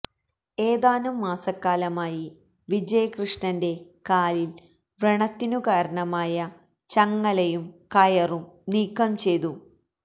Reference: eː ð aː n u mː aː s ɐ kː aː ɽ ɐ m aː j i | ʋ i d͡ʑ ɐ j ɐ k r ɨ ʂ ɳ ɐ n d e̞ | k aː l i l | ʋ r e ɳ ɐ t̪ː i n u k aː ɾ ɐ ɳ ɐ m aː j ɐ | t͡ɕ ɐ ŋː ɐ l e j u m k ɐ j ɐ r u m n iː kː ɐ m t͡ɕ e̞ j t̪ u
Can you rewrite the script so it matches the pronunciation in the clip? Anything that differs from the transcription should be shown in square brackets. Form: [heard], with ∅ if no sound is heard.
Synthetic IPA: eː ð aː n u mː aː s ɐ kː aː [l] ɐ m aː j i | ʋ i d͡ʑ ɐ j ɐ k r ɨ ʂ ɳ ɐ n d e̞ | k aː l i l | ʋ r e ɳ ɐ t̪ː i n u k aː ɾ ɐ ɳ ɐ m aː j ɐ | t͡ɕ ɐ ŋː ɐ l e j u m k ɐ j ɐ r u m n iː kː ɐ m t͡ɕ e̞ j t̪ u